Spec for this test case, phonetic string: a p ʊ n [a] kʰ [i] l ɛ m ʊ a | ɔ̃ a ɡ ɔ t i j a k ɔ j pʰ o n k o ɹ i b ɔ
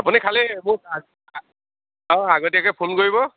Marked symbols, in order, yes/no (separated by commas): no, no